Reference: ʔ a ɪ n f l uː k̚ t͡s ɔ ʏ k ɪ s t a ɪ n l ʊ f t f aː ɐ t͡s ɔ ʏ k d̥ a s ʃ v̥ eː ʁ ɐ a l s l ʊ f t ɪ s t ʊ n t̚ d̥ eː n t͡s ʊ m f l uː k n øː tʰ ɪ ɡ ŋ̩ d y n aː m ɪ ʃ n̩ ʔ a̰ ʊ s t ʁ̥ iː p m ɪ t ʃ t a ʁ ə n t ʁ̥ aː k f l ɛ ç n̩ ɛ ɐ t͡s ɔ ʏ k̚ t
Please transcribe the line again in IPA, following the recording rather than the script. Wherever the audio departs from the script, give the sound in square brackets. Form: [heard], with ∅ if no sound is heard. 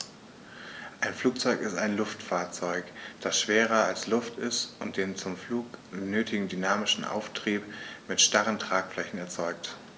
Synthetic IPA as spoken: ʔ a ɪ n f l uː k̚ t͡s ɔ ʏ k ɪ s t a ɪ n l ʊ f t f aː ɐ t͡s ɔ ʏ k d̥ a s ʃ v̥ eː ʁ ɐ a l s l ʊ f t ɪ s t ʊ n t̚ d̥ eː n t͡s ʊ m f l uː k n øː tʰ ɪ ɡ ŋ̩ d y n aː m ɪ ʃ n̩ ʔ a̰ ʊ [f] t ʁ̥ iː p m ɪ t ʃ t a ʁ ə n t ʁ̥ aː k f l ɛ ç n̩ ɛ ɐ t͡s ɔ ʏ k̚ t